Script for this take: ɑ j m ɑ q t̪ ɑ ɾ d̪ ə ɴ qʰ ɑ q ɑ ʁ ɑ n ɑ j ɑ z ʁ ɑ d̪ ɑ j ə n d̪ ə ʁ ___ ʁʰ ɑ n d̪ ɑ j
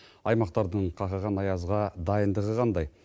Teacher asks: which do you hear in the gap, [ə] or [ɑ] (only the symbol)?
ə